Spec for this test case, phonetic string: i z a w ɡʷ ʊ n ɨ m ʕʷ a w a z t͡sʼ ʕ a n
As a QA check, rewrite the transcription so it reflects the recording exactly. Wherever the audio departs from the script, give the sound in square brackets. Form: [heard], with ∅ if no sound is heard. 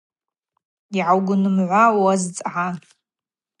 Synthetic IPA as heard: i [ʕ] a w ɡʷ ʊ n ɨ m ʕʷ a w a z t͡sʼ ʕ a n